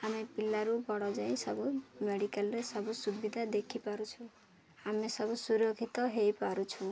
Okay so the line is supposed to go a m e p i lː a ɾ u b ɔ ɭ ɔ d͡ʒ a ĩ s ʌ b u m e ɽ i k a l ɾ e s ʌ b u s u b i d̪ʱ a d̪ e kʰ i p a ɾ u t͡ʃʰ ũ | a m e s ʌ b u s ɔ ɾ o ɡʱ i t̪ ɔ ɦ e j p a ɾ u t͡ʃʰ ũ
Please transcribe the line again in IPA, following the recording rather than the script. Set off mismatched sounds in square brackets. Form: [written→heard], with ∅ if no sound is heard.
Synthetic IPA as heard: a m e p i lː a ɾ u b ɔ [ɭ→ɽ] ɔ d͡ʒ a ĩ s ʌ b u m e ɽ i k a l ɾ e s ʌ b u s u b i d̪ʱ a d̪ e kʰ i p a ɾ u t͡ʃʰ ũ | a m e s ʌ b u s [ɔ→u] ɾ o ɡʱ i t̪ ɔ ɦ e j p a ɾ u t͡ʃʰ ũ